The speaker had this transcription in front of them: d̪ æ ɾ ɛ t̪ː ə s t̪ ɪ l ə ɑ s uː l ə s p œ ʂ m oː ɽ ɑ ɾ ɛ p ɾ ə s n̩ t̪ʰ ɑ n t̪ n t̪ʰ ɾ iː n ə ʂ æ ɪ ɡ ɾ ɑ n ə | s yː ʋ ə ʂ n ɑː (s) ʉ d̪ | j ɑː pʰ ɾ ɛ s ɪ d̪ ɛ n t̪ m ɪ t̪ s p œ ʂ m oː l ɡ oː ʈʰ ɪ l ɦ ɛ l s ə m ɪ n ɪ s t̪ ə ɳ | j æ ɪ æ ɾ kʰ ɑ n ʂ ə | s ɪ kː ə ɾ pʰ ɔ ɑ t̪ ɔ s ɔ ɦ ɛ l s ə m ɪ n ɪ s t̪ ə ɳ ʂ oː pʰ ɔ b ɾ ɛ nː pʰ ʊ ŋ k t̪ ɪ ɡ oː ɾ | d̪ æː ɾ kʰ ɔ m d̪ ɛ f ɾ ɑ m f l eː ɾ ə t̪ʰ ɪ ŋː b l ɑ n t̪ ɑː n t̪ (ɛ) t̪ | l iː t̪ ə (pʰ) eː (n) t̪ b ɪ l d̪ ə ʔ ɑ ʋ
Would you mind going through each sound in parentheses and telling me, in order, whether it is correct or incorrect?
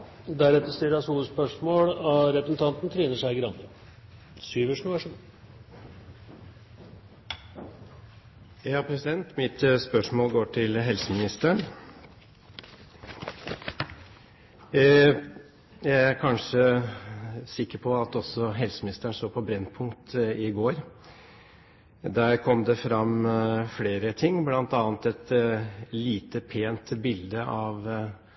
incorrect: ʂ, correct, correct, correct

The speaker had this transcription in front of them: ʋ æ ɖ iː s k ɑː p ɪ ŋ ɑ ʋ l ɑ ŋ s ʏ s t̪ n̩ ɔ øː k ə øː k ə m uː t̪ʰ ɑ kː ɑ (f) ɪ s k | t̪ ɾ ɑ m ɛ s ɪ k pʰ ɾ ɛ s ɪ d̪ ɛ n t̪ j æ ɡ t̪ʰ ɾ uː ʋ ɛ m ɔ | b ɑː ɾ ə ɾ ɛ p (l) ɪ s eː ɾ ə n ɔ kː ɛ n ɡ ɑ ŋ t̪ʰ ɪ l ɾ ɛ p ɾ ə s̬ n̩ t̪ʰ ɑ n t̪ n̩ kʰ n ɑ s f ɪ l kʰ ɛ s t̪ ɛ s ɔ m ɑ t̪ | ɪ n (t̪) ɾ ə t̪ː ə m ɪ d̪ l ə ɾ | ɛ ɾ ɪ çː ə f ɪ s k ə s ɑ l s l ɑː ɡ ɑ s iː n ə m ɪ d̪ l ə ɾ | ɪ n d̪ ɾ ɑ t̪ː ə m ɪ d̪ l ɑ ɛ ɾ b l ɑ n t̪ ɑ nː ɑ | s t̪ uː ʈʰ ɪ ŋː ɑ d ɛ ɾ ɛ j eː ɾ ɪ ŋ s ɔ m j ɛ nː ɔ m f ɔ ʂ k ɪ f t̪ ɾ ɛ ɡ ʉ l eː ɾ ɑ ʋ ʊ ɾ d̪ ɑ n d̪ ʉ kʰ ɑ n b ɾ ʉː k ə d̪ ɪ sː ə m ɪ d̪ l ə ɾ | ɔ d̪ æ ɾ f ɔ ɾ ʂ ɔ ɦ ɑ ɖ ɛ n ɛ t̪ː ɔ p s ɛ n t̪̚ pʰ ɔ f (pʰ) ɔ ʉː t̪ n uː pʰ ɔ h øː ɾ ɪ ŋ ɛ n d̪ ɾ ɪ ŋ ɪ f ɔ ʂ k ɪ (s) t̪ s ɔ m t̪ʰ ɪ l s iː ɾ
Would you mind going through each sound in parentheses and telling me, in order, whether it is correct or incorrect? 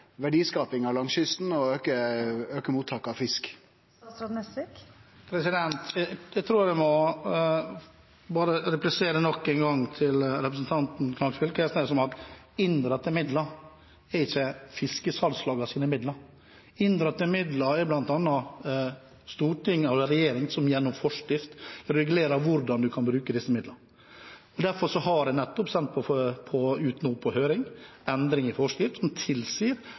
correct, correct, incorrect: d̪, correct, incorrect: f

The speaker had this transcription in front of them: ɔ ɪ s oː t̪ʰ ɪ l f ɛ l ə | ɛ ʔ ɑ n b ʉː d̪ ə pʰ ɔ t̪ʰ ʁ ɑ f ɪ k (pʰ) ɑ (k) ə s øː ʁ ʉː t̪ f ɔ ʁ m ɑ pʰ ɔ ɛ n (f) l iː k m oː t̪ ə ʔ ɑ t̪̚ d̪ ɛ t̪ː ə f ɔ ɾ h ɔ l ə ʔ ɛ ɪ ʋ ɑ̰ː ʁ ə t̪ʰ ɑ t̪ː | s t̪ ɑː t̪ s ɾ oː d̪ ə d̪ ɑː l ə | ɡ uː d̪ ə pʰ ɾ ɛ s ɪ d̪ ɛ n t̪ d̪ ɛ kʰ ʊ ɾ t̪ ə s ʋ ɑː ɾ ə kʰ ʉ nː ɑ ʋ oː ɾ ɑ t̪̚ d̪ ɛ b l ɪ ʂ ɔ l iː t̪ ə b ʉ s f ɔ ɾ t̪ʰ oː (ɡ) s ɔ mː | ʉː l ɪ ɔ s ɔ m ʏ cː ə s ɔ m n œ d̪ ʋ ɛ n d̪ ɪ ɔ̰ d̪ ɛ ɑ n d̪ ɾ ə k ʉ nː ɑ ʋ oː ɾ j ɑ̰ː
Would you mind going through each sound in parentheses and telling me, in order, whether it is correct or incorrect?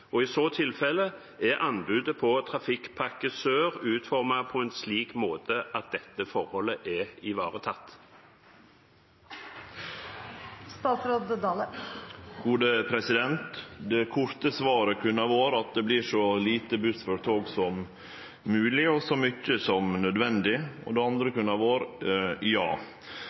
correct, correct, incorrect: s, correct

